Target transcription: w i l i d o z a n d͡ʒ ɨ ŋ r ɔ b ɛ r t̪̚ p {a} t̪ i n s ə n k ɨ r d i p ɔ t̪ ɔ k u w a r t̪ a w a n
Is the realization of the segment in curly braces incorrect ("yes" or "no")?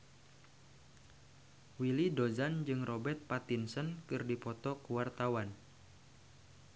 no